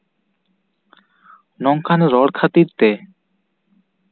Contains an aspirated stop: yes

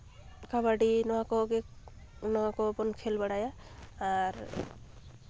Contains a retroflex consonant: yes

